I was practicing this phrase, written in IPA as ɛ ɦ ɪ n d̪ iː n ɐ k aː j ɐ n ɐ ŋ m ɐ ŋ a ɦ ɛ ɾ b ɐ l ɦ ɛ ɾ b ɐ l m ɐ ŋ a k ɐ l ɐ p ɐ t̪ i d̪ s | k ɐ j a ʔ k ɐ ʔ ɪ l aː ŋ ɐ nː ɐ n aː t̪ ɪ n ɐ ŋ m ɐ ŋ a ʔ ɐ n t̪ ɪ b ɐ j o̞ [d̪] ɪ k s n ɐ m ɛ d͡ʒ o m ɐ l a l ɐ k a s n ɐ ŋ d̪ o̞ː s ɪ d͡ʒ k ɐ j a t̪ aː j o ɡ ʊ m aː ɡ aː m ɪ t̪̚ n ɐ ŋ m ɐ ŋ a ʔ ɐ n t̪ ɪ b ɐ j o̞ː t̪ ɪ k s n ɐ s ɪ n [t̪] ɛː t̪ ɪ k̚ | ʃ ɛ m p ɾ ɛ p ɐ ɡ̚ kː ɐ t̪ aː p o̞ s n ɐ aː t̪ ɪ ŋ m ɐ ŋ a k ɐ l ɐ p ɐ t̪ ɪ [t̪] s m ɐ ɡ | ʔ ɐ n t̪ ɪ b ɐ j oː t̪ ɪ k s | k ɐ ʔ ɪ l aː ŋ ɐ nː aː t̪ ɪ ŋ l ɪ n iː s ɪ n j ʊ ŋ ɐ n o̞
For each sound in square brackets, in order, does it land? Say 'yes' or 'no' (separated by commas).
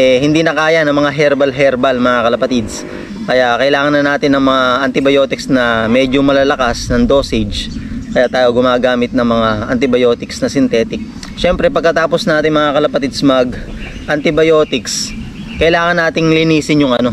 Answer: no, yes, no